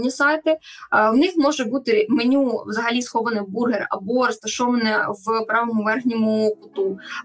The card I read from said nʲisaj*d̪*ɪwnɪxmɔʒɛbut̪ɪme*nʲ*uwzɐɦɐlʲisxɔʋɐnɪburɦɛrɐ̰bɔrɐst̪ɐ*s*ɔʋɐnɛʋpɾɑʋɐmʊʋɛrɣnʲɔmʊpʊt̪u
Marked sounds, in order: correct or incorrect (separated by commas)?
incorrect, correct, incorrect